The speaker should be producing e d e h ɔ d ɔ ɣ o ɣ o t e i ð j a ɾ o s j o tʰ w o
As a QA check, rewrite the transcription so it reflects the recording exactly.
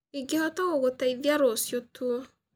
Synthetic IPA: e ɡ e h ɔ t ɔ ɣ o ɣ o t a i ð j a ɾ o s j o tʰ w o